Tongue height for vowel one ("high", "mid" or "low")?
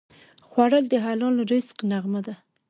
low